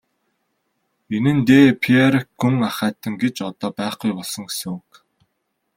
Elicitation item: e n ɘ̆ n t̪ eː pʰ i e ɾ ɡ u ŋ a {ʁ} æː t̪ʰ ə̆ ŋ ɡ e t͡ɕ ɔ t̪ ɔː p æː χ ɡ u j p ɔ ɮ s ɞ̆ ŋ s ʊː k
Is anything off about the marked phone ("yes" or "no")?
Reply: yes